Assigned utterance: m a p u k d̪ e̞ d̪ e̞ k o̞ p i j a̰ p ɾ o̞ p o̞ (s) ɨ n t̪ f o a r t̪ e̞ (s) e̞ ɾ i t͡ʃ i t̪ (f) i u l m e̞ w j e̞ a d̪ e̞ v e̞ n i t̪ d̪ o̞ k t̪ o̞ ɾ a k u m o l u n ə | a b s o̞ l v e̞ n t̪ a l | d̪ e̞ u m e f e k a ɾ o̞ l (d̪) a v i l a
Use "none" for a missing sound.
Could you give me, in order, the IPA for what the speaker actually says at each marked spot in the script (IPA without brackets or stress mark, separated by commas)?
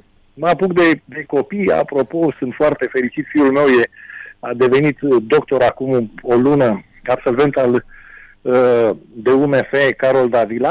s, f, f, d̪